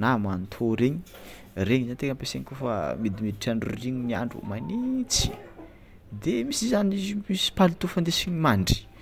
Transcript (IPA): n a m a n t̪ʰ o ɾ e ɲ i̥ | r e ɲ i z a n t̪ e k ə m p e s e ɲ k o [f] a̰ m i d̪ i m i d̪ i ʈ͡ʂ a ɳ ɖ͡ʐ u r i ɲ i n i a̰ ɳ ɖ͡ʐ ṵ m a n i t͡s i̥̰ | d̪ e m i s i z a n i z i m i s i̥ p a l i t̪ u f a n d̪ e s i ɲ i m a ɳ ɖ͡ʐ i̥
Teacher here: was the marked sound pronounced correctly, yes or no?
yes